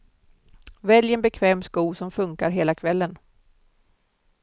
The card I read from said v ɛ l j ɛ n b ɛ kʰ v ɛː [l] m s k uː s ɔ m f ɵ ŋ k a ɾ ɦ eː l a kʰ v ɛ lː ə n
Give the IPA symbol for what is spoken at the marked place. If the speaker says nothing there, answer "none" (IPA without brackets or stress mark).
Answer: none